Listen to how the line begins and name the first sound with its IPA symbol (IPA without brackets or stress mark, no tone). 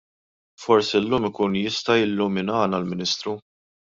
f